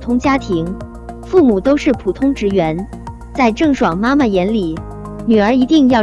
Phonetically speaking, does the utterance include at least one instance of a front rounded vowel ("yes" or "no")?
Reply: yes